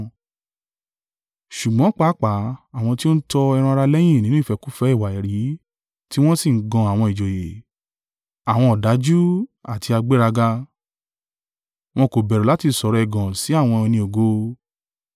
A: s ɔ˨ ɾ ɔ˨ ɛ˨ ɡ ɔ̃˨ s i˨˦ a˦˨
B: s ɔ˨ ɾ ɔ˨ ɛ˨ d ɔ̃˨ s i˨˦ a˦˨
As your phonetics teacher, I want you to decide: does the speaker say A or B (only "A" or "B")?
A